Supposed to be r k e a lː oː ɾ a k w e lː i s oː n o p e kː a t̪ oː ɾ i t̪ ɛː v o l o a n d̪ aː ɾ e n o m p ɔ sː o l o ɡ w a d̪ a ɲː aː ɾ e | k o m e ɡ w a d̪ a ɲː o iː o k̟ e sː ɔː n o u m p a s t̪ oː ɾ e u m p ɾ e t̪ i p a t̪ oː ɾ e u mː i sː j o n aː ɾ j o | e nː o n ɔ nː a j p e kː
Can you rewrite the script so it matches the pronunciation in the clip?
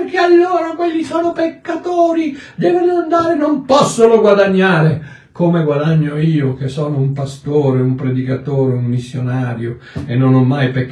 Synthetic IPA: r k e a lː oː ɾ a k w e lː i s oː n o p e kː a t̪ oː ɾ i d̪ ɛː v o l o a n d̪ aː ɾ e n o m p ɔ sː o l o ɡ w a d̪ a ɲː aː ɾ e | k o m e ɡ w a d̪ a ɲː o iː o k̟ e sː ɔː n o u m p a s t̪ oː ɾ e u m p ɾ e d̪ i k a t̪ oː ɾ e u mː i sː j o n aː ɾ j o | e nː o n ɔ mː a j p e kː